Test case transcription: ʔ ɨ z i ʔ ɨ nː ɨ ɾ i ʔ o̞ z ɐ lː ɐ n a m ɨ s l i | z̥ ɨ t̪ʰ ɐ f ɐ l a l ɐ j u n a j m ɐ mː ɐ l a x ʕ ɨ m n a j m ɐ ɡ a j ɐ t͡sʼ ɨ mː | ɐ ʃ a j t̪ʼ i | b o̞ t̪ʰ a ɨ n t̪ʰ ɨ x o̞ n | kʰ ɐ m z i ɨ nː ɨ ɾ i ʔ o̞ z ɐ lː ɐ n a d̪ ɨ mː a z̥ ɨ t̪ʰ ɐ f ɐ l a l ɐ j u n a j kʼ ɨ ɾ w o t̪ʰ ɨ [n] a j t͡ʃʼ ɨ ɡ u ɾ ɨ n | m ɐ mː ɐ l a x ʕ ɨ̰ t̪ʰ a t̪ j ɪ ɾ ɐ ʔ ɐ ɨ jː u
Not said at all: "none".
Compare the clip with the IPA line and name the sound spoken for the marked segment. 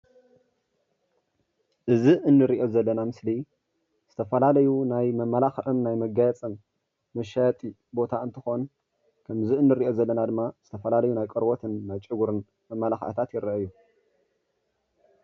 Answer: nː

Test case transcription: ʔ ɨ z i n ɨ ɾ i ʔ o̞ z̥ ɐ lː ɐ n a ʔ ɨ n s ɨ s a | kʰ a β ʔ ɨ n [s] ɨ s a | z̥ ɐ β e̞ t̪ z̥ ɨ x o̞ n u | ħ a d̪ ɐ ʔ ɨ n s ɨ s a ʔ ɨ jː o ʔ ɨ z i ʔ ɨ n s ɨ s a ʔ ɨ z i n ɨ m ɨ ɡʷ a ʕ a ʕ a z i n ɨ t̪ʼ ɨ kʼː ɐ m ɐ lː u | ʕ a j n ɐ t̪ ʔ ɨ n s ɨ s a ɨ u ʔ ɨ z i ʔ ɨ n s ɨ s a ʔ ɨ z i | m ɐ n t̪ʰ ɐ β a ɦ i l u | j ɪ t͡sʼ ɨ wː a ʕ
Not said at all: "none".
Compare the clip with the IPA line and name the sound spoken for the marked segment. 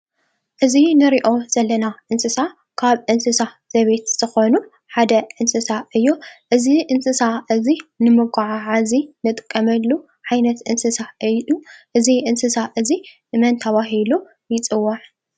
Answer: s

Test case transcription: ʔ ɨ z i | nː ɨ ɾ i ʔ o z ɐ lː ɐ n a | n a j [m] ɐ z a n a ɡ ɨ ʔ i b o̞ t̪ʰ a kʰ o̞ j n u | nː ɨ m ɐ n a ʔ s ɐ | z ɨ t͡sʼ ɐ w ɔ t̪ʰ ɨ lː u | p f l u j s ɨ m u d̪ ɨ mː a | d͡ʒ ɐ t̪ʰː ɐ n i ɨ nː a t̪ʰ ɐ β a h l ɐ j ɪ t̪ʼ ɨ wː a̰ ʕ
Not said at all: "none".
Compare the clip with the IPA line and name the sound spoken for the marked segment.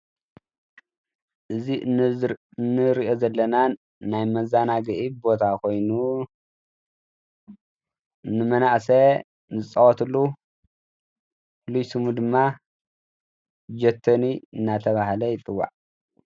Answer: m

